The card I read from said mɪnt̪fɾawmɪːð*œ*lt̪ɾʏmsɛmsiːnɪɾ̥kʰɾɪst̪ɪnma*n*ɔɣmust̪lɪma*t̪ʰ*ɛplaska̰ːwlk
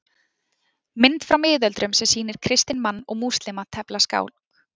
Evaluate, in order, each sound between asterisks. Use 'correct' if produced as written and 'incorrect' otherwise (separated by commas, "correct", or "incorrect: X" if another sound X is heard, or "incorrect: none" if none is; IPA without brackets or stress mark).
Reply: correct, incorrect: nː, correct